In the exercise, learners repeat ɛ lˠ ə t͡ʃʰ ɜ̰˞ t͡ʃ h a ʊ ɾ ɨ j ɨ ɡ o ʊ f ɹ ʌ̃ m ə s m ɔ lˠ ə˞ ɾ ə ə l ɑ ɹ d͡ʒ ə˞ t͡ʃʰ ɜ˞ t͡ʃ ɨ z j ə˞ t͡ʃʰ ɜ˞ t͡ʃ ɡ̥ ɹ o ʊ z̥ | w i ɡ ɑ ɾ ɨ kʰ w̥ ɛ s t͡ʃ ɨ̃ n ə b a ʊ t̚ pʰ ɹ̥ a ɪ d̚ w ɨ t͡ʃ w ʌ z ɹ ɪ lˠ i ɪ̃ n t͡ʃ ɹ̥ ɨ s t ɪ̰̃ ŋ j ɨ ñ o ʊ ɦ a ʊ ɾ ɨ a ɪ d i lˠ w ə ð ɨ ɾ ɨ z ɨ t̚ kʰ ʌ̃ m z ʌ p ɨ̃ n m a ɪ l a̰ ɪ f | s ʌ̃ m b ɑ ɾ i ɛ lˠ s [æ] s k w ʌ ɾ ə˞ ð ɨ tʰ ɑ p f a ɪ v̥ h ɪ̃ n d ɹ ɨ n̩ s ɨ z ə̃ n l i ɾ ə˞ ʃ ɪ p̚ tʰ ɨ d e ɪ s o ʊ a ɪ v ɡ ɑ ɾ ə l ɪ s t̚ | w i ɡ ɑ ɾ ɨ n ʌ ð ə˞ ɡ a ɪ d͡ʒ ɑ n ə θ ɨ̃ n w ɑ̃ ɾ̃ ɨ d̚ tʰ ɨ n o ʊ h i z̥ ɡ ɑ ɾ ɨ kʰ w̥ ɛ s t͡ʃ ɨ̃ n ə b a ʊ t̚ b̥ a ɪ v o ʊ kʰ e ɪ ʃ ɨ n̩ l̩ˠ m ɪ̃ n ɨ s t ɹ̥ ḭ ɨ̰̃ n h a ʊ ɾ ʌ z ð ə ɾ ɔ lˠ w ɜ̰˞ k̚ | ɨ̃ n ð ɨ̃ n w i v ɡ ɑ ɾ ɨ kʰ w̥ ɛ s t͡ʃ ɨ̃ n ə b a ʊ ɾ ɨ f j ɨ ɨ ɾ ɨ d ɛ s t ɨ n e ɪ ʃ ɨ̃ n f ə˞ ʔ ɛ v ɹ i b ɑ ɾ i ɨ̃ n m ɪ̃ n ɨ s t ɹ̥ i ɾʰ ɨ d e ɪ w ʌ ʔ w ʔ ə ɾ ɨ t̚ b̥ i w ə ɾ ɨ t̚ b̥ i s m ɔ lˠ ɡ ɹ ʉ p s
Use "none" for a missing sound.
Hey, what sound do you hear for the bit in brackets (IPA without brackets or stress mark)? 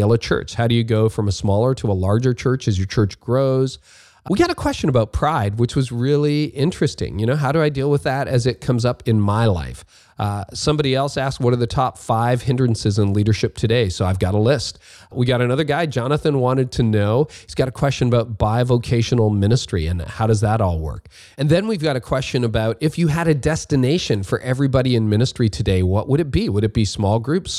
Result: æ